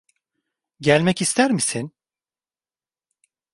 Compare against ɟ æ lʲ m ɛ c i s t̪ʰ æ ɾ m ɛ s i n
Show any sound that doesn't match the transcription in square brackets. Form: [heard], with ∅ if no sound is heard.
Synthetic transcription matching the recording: ɟ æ lʲ m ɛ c i s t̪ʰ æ ɾ m [i] s i n